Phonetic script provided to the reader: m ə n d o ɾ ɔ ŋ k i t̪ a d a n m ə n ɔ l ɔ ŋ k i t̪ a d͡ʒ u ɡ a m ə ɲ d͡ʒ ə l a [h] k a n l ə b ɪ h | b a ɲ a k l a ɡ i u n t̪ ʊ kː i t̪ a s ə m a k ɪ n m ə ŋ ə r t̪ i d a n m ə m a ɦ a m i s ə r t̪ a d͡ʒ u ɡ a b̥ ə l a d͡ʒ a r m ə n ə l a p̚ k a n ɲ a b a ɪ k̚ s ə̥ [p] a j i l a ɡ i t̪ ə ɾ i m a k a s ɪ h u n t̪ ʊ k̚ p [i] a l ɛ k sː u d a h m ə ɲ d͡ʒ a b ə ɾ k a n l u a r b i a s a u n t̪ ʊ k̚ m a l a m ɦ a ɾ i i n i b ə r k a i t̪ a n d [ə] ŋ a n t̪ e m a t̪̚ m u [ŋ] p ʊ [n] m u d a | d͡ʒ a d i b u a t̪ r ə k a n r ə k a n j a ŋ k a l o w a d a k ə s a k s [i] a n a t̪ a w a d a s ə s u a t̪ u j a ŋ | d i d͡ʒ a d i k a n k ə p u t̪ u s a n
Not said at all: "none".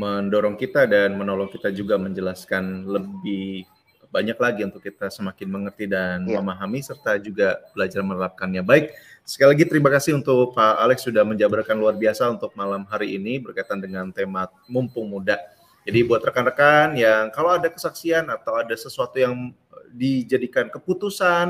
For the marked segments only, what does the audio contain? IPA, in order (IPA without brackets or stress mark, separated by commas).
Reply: s, k, a, ə, m, ŋ, i